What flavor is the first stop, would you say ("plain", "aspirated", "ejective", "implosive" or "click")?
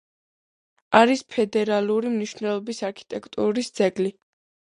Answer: aspirated